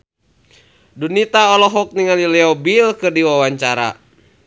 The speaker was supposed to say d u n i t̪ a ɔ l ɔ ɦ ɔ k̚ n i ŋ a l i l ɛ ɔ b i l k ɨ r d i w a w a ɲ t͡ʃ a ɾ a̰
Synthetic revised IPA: d u n i t̪ a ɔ l ɔ ɦ ɔ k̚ n i ŋ a l i l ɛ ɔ b i l k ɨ r d i w a w a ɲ t͡ʃ a ɾ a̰